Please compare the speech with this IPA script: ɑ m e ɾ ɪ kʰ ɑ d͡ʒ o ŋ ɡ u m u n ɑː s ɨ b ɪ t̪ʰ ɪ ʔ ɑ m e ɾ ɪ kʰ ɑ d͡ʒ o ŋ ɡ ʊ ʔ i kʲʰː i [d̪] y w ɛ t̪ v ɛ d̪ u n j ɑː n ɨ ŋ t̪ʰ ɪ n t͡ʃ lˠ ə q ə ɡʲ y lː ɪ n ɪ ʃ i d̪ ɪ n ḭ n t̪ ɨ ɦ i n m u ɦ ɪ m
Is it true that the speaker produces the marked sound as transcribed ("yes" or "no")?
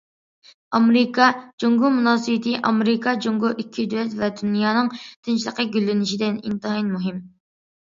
yes